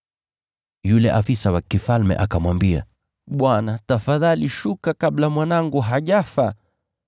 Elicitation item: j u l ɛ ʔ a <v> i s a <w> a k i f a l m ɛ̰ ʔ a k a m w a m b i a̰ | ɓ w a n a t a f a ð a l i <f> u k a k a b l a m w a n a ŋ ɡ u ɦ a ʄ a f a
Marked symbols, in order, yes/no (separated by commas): no, yes, no